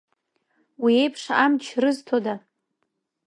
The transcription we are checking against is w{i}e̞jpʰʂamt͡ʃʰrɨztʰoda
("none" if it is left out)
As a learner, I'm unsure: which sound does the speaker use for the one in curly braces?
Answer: i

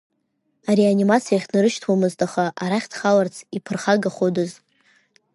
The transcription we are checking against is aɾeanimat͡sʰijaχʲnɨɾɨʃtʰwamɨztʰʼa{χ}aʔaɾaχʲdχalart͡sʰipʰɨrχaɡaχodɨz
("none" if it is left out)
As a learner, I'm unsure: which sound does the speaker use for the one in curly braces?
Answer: χ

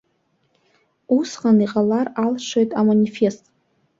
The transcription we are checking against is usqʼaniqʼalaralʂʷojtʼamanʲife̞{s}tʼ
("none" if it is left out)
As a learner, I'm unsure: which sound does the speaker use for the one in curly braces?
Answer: s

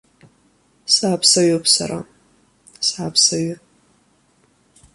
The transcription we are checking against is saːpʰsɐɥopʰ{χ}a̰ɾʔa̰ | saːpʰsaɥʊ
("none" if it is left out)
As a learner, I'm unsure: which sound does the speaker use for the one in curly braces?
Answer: s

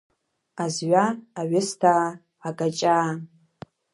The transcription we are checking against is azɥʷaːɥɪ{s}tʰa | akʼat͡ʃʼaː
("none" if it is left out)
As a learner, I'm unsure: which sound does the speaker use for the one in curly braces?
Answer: s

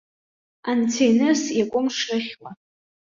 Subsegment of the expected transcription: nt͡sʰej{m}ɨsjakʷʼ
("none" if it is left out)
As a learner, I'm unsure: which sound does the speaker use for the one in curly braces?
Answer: n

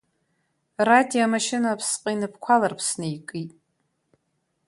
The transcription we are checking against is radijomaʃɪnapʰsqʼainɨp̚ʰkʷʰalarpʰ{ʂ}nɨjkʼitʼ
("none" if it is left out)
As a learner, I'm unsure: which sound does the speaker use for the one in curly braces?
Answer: s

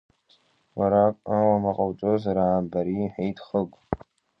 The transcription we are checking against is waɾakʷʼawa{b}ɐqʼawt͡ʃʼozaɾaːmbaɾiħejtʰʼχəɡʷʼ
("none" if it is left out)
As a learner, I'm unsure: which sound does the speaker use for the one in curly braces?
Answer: m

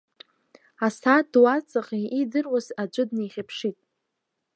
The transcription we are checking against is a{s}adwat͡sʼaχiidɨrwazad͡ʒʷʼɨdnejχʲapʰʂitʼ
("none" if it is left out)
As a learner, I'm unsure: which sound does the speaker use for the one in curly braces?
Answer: s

